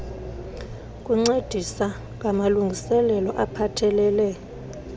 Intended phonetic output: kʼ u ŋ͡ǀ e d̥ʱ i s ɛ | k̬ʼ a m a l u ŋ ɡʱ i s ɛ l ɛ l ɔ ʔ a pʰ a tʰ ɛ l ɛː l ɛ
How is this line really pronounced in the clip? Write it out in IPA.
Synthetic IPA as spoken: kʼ u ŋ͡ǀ e d̥ʱ i s a | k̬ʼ a m a l u ŋ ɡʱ i s ɛ l ɛ l ɔ ʔ a pʰ a tʰ ɛ l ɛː l ɛ